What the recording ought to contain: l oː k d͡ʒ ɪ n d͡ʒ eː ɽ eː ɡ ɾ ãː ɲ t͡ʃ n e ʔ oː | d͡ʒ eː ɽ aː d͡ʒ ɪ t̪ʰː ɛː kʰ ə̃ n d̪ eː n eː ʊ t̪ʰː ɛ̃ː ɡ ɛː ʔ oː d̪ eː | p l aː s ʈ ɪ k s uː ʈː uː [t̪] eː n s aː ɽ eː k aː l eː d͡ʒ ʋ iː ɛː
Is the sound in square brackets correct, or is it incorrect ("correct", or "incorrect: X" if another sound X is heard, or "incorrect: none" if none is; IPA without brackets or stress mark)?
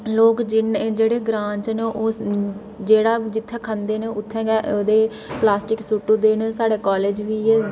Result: incorrect: d̪